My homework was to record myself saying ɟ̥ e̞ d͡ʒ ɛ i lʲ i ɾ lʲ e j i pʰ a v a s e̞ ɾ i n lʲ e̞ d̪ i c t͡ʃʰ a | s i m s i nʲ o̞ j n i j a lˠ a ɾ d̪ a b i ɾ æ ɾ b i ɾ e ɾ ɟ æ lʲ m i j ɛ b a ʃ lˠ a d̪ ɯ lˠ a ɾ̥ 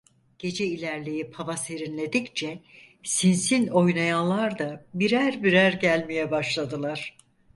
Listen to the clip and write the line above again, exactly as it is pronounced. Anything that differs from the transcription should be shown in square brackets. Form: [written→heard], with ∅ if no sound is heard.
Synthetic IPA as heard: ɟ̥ e̞ d͡ʒ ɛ i lʲ [i→æ] ɾ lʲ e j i pʰ a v a s e̞ ɾ i n lʲ e̞ d̪ i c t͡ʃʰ [a→ɛ] | s i [m→n] s i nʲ o̞ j n [i→a] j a lˠ a ɾ d̪ a b i ɾ æ ɾ b i ɾ [e→æ] ɾ ɟ æ lʲ m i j ɛ b a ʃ lˠ a d̪ ɯ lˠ a ɾ̥